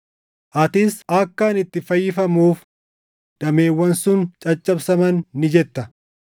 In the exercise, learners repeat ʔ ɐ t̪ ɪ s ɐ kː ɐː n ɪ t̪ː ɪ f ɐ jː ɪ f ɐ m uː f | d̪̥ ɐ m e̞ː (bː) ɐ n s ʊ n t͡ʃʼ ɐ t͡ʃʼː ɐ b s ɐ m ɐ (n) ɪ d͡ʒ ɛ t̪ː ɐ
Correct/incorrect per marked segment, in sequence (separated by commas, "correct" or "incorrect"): incorrect, incorrect